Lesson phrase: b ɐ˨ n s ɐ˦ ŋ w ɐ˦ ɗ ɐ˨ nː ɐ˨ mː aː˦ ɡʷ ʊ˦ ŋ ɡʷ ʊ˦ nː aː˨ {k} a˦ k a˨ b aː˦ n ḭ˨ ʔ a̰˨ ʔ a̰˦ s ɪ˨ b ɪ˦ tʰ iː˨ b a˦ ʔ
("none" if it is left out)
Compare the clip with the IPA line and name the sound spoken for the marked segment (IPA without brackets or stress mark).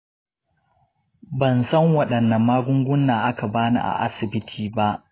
ʔ